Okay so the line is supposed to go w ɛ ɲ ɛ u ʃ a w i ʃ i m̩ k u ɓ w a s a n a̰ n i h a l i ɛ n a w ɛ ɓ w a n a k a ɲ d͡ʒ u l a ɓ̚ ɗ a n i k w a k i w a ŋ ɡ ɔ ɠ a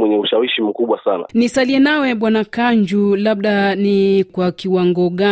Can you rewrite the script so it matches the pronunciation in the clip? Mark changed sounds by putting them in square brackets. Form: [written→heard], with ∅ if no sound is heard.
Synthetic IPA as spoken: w ɛ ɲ ɛ u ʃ a w i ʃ i m̩ k u ɓ w a s a n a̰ n i [h→s] a l i ɛ n a w ɛ ɓ w a n a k a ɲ d͡ʒ u l a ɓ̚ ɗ a n i k w a k i w a ŋ ɡ ɔ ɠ a